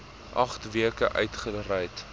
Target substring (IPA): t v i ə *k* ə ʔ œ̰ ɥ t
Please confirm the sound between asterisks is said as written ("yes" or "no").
yes